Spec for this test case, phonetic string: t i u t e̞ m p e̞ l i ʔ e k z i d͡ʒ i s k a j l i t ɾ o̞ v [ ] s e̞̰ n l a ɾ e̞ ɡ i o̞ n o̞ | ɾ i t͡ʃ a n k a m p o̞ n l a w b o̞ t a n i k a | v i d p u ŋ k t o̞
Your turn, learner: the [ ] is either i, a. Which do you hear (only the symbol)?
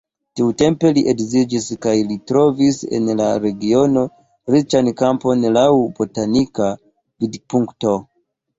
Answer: i